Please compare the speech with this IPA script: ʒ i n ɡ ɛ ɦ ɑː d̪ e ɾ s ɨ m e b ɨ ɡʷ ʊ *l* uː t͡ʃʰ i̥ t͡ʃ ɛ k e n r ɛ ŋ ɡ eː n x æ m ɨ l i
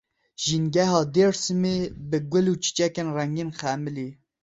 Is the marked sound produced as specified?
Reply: yes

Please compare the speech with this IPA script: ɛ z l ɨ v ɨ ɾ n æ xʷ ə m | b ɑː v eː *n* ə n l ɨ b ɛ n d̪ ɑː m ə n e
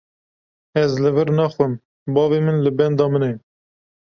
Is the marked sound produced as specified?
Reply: no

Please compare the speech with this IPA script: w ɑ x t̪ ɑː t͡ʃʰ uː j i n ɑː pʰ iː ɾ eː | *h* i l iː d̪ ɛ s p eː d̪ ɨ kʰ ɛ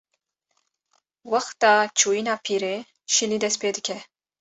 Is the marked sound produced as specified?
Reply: no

